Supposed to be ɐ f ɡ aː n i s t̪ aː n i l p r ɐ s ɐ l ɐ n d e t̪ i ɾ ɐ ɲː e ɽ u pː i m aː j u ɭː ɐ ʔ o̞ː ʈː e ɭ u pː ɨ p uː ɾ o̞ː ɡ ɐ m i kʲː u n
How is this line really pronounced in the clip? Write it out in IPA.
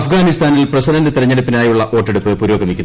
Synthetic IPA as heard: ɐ f ɡ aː n i s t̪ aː n i l p r ɐ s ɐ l ɐ n d e t̪ i ɾ ɐ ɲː e ɽ u pː i n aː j u ɭː ɐ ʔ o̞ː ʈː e ɽ u pː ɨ p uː ɾ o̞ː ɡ ɐ m i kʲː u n

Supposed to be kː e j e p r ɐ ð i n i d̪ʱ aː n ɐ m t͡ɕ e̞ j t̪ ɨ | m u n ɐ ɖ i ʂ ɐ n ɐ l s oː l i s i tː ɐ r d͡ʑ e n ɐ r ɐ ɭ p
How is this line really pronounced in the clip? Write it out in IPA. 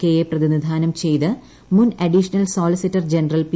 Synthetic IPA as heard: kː e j e p r ɐ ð i n i d̪ʱ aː n ɐ m t͡ɕ e̞ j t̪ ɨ | m u n ɐ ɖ i ʂ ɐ n ɐ l s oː l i s i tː ɐ r d͡ʑ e n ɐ r ɐ l p

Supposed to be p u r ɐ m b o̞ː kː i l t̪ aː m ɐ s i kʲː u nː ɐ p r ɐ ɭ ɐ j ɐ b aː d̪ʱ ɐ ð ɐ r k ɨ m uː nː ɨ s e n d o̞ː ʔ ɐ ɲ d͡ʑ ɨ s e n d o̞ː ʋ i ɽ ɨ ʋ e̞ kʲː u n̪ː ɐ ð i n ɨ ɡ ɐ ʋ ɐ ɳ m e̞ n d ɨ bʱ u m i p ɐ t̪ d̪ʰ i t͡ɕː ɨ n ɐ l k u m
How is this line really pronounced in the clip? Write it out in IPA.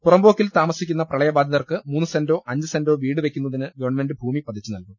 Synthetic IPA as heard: p u r ɐ m b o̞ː kː i l t̪ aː m ɐ s i kʲː u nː ɐ p r ɐ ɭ ɐ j ɐ b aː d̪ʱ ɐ ð ɐ r k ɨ m uː nː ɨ s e n d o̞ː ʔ ɐ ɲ d͡ʑ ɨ s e n d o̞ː ʋ iː ɽ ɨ ʋ e̞ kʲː u n̪ː ɐ ð i n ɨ ɡ ɐ ʋ ɐ ɳ m e̞ n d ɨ bʱ uː m i p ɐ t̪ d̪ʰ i t͡ɕː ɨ n ɐ l k u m

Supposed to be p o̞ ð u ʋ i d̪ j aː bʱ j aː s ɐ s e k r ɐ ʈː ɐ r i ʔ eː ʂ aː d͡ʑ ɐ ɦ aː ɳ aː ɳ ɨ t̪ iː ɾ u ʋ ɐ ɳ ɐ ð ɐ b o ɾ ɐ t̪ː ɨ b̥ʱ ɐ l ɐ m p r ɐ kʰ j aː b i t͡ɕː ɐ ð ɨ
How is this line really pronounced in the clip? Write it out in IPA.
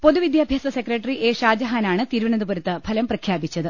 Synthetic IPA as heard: p o̞ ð u ʋ i d̪ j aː bʱ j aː s ɐ s e k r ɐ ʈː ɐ r i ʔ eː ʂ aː d͡ʑ ɐ ɦ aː n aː ɳ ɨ t̪ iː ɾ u ʋ ɐ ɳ ɐ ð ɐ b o ɾ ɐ t̪ː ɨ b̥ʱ ɐ l ɐ m p r ɐ kʰ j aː b i t͡ɕː ɐ ð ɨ

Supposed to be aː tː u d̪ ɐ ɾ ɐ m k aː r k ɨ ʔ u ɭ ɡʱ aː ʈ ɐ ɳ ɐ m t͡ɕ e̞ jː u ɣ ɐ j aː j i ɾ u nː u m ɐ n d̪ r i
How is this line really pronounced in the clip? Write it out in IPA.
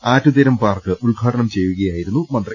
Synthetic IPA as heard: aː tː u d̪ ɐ ɾ ɐ m p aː r k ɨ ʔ u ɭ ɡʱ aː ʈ ɐ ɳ ɐ m t͡ɕ e̞ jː u ɣ ɐ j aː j i ɾ u nː u m ɐ n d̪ r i

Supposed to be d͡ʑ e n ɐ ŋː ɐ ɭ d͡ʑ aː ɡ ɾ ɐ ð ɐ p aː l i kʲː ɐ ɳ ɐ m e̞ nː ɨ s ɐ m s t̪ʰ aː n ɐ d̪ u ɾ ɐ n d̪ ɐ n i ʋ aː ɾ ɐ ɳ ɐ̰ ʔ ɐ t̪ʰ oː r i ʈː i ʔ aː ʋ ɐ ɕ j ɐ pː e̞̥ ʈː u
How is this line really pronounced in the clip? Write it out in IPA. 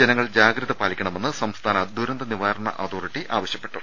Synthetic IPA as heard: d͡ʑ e n ɐ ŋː ɐ ɭ d͡ʑ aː ɡ ɾ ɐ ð ɐ p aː l i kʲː ɐ ɳ ɐ m e̞ nː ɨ s ɐ m s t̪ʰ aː n ɐ d̪ u ɾ ɐ n d̪ ɐ n i ʋ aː ɾ ɐ ɳ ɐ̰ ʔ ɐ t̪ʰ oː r i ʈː i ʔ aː ʋ ɐ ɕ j ɐ pː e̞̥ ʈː u

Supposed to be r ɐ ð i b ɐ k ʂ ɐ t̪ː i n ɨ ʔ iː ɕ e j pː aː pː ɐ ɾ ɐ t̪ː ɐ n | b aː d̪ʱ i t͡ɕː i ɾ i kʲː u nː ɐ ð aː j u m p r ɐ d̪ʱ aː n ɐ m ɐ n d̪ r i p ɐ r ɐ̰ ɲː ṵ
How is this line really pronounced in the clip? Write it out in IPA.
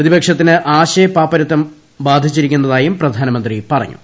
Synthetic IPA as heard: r ɐ ð i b ɐ k ʂ ɐ t̪ː i n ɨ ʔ aː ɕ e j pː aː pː ɐ ɾ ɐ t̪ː ɐ m | b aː d̪ʱ i t͡ɕː i ɾ i kʲː u nː ɐ ð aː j u m p r ɐ d̪ʱ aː n ɐ m ɐ n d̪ r i p ɐ r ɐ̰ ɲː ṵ

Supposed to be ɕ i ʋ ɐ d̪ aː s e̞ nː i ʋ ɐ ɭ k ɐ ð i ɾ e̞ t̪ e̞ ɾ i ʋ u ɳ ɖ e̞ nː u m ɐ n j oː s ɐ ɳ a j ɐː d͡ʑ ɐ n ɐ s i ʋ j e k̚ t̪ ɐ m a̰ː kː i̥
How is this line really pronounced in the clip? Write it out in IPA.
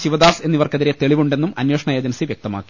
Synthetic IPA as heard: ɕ i ʋ ɐ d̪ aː s e̞ nː i ʋ ɐ r k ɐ ð i ɾ e̞ t̪ e̞ ɭ i ʋ u ɳ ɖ e̞ nː u m ɐ n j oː ʂ ɐ ɳ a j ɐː d͡ʑ ɐ n ɐ s i ʋ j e k̚ t̪ ɐ m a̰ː kː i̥

